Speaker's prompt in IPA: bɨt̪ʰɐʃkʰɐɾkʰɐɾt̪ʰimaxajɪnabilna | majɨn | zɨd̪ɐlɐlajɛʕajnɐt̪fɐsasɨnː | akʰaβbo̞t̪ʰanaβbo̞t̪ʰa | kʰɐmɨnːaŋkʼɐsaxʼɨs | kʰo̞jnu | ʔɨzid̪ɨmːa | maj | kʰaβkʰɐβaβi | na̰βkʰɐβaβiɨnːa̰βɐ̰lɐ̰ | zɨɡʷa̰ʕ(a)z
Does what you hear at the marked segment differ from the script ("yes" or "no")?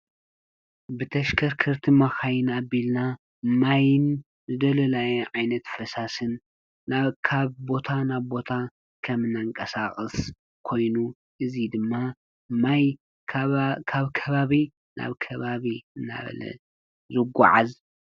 no